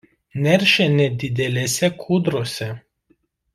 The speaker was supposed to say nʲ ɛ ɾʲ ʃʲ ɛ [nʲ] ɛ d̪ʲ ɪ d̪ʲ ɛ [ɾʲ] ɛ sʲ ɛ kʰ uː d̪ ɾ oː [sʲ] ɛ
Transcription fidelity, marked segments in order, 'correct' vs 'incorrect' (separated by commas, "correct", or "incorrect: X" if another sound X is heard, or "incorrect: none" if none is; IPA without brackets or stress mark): correct, incorrect: lʲ, correct